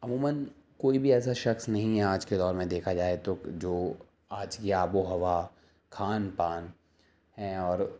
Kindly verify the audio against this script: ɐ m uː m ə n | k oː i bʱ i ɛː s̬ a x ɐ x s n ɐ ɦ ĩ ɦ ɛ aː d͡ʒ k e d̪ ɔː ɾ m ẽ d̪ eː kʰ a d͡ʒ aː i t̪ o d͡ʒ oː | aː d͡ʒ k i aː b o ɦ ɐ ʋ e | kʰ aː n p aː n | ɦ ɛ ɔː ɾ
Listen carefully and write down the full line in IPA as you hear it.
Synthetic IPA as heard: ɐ m uː m ə n | k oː i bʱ i ɛː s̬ a ʃ ɐ x s n ɐ ɦ ĩ ɦ ɛ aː d͡ʒ k e d̪ ɔː ɾ m ẽ d̪ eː kʰ a d͡ʒ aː e t̪ o d͡ʒ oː | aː d͡ʒ k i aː b o ɦ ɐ ʋ a | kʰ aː n p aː n | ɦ ɛ ɔː ɾ